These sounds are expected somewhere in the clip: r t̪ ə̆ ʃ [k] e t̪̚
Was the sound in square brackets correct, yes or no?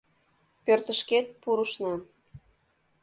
yes